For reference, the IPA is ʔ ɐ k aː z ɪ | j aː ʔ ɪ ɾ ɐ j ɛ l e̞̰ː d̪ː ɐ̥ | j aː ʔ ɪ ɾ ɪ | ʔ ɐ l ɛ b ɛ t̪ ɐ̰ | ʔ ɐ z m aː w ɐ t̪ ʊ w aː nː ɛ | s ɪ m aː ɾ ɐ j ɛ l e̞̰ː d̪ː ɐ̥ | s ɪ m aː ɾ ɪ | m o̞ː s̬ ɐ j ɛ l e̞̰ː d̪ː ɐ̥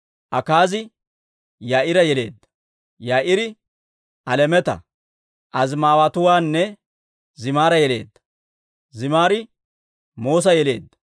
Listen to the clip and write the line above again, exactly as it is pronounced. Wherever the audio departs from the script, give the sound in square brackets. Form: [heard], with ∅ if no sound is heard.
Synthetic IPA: ʔ ɐ k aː z ɪ | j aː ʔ ɪ ɾ ɐ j ɛ l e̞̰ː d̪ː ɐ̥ | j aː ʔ ɪ ɾ ɪ | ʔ ɐ l ɛ [m] ɛ t̪ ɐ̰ | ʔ ɐ z m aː w ɐ t̪ ʊ w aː nː ɛ | [z] ɪ m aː ɾ ɐ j ɛ l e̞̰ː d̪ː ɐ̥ | [z] ɪ m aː ɾ ɪ | m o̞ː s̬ ɐ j ɛ l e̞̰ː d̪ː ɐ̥